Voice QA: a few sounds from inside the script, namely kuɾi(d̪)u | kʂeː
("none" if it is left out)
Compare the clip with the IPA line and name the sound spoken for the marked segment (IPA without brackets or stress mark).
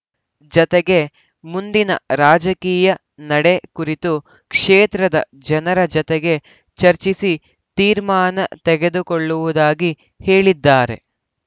t̪